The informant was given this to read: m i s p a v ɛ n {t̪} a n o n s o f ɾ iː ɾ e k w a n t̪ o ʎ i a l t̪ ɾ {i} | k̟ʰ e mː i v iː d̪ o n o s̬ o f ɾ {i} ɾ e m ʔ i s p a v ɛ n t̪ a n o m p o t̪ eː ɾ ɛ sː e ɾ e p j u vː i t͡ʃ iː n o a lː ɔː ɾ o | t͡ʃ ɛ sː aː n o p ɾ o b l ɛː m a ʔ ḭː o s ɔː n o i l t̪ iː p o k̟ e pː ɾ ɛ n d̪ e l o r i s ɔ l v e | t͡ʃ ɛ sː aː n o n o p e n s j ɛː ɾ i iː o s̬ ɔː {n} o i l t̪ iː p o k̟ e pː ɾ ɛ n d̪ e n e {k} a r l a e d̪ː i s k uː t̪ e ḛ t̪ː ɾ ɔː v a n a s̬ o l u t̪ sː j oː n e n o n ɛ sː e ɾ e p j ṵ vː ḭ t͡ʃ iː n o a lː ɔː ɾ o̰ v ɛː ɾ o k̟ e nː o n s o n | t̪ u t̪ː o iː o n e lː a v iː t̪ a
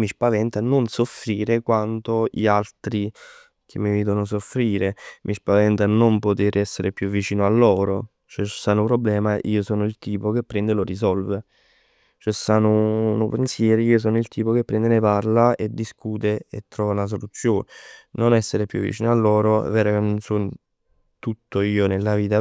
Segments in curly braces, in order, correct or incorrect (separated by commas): correct, correct, incorrect, correct, incorrect